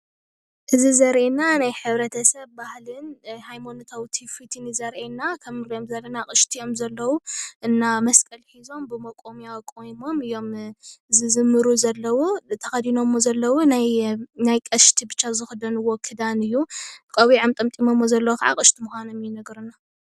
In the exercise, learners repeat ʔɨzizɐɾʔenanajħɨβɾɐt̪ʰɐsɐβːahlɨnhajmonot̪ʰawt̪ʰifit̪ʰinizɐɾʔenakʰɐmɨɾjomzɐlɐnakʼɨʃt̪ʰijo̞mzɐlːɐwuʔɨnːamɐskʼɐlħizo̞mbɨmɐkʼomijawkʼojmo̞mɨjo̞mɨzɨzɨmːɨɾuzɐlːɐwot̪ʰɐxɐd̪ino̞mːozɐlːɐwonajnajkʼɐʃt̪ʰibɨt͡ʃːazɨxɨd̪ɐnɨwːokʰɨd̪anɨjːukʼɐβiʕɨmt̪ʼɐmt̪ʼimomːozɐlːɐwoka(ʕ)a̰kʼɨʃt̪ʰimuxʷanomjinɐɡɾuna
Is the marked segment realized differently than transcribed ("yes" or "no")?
no